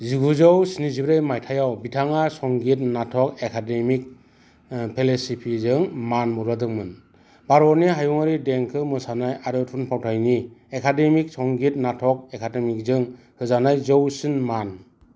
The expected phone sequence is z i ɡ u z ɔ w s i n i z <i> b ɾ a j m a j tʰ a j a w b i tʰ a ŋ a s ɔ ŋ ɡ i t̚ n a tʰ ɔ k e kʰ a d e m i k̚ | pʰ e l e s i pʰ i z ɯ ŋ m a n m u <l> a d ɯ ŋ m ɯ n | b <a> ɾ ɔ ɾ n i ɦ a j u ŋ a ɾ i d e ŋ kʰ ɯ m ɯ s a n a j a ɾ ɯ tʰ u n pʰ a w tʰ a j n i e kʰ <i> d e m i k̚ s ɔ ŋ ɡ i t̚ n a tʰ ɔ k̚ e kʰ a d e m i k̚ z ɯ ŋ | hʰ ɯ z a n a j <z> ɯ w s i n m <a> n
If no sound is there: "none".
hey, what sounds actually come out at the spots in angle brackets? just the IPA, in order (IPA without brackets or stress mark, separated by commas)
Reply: i, ɾ, a, a, z, a